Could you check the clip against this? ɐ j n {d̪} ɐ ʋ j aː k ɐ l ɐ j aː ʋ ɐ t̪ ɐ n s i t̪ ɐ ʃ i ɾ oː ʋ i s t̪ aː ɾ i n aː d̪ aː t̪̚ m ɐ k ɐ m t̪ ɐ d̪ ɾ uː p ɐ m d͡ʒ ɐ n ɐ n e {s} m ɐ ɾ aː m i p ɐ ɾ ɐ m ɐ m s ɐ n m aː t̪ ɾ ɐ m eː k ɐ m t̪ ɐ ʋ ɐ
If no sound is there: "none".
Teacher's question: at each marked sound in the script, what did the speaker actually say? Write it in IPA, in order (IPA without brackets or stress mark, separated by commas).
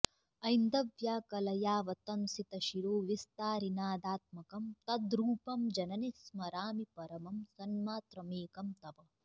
d̪, s